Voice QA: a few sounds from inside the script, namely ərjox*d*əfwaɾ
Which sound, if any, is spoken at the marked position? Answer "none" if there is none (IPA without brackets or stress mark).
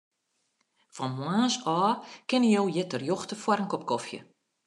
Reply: t